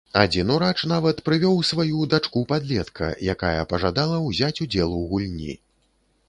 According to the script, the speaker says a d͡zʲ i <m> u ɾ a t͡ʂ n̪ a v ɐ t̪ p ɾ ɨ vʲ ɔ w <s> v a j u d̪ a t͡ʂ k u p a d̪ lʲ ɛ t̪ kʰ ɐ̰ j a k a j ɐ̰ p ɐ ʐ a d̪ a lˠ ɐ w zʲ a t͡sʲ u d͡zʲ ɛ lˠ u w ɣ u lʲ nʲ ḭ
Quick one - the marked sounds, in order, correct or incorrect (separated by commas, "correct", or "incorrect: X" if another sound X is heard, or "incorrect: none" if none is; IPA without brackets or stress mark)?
incorrect: n, correct